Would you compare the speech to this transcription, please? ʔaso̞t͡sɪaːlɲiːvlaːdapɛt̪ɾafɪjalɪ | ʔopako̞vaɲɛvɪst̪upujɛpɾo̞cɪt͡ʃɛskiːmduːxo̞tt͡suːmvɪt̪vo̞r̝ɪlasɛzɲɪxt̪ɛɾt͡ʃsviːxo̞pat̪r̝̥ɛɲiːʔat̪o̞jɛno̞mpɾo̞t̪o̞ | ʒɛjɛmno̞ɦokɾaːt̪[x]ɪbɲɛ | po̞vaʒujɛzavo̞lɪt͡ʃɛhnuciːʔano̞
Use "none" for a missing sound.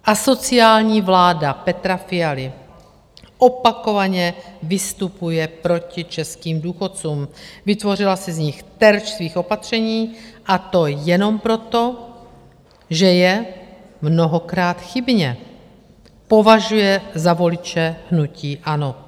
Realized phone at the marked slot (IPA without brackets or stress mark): x